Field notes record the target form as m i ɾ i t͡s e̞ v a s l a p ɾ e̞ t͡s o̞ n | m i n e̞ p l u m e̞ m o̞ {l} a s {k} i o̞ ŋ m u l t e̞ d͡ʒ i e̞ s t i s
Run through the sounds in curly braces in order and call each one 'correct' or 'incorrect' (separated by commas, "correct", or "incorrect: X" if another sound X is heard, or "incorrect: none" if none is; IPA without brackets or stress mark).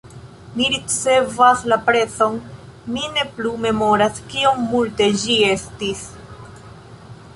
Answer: incorrect: ɾ, correct